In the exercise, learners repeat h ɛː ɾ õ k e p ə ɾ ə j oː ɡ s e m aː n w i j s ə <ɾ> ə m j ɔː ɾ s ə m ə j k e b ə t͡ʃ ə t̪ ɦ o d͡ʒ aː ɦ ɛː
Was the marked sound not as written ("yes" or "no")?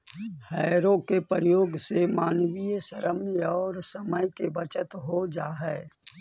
no